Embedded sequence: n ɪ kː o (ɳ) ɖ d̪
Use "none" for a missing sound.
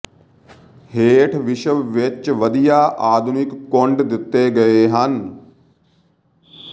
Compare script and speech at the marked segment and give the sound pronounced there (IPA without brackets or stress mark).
ɳ